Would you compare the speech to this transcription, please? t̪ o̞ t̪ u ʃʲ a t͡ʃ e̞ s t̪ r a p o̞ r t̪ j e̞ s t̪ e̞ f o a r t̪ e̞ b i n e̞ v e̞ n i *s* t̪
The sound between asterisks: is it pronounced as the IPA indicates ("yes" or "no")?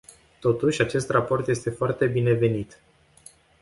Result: no